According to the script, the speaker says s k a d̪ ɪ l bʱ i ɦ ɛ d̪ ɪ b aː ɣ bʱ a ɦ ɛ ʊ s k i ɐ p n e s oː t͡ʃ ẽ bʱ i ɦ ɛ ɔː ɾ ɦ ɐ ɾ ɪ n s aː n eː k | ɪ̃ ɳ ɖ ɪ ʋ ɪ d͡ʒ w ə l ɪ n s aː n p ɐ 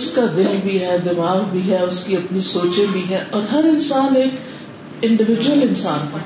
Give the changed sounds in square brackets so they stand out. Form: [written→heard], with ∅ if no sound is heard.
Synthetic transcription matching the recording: s k a d̪ ɪ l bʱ i ɦ ɛ d̪ ɪ [b→m] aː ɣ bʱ [a→i] ɦ ɛ ʊ s k i ɐ p n [e→i] s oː t͡ʃ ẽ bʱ i ɦ ɛ ɔː ɾ ɦ ɐ ɾ ɪ n s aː n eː k | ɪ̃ ɳ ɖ ɪ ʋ ɪ d͡ʒ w ə l ɪ n s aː n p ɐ